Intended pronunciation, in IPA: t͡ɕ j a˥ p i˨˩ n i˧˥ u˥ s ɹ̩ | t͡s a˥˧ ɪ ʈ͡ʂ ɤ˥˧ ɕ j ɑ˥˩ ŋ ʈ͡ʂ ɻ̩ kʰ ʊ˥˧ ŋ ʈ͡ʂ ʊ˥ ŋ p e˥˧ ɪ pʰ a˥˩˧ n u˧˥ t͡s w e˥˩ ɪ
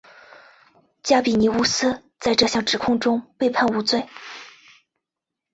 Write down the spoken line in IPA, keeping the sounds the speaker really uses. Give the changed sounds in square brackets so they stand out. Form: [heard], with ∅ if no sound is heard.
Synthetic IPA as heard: t͡ɕ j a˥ p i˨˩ n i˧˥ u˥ s ɹ̩ | t͡s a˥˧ ɪ ʈ͡ʂ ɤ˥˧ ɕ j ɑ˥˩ ŋ ʈ͡ʂ ɻ̩ kʰ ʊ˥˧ ŋ ʈ͡ʂ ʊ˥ ŋ p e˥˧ ɪ pʰ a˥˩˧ n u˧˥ t͡s w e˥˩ ɪ